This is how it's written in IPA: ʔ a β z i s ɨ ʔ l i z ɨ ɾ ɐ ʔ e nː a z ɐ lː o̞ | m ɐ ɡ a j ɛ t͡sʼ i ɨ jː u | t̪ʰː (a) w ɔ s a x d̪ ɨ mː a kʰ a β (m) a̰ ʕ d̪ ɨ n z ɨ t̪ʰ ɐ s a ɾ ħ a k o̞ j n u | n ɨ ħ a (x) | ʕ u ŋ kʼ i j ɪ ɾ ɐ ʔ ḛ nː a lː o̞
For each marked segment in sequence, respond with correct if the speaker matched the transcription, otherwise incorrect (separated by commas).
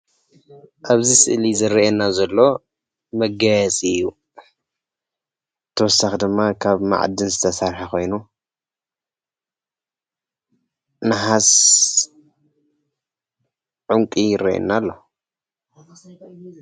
incorrect, correct, incorrect